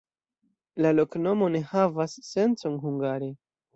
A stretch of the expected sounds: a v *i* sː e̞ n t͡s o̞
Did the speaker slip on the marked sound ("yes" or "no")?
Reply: yes